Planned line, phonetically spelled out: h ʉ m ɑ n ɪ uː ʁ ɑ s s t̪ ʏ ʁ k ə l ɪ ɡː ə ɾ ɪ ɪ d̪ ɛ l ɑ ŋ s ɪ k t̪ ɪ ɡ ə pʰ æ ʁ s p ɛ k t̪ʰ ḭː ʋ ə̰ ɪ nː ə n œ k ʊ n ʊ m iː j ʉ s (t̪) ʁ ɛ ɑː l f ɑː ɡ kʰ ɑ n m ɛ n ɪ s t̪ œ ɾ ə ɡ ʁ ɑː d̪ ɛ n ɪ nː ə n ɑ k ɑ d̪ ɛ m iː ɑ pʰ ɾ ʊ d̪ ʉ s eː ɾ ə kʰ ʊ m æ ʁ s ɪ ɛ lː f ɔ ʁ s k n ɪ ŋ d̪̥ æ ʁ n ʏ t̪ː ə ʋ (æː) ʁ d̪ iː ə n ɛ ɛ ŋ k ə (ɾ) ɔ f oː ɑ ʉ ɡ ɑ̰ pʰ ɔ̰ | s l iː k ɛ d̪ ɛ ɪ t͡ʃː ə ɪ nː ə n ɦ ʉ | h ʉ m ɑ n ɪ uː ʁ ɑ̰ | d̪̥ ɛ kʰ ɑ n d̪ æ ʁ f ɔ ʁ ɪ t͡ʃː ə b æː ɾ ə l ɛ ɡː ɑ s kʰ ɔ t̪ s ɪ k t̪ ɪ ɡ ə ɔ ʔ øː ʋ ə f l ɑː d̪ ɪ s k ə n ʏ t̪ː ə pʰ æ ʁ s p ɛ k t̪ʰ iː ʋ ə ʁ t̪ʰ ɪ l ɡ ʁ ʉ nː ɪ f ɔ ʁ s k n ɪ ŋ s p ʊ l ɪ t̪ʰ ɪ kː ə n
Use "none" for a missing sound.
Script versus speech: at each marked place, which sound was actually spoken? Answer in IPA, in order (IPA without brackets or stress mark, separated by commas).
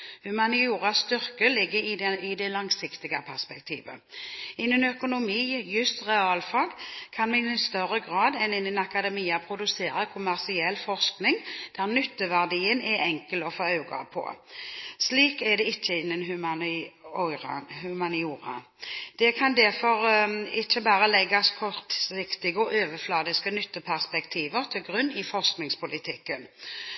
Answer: t̪, æ, l